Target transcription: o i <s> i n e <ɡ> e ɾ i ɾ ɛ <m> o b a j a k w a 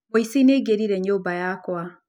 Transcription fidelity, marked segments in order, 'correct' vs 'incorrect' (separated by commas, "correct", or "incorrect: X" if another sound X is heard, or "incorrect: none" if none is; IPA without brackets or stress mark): correct, correct, incorrect: ɲ